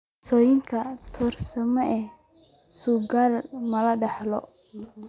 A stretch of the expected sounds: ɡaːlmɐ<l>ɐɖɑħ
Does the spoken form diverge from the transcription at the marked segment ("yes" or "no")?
no